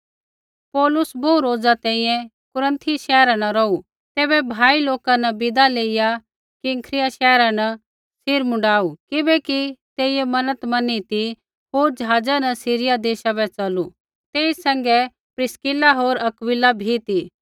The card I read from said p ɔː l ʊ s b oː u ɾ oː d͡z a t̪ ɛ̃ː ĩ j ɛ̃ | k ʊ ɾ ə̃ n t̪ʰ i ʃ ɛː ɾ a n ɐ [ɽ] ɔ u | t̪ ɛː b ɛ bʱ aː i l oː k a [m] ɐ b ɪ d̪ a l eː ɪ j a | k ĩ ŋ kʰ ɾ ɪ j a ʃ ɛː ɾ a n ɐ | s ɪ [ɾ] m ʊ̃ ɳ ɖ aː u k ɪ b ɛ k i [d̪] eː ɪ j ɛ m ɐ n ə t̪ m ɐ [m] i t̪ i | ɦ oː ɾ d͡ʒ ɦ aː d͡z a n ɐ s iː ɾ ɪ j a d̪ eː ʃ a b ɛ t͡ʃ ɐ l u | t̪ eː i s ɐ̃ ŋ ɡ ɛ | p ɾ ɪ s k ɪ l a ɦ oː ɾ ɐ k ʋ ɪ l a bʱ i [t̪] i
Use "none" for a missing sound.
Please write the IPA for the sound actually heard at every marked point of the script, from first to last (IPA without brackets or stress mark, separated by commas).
ɾ, n, ɾ, t̪, n, t̪